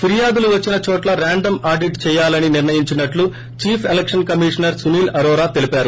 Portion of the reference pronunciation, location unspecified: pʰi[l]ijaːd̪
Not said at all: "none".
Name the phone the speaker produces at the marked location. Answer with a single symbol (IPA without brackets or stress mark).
ɾ